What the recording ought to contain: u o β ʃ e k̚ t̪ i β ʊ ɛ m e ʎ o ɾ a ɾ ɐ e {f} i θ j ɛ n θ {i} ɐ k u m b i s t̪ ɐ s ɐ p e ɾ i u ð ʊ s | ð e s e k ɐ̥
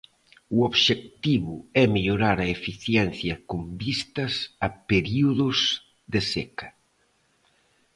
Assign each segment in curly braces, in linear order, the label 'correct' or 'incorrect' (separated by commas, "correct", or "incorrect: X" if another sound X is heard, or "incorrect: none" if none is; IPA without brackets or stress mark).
correct, incorrect: j